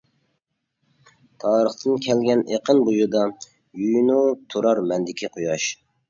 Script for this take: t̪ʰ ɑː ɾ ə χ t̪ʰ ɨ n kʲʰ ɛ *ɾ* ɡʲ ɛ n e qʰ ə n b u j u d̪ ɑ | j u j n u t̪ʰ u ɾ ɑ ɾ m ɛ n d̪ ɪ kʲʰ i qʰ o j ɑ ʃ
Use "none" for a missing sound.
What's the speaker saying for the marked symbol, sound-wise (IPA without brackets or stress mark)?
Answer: l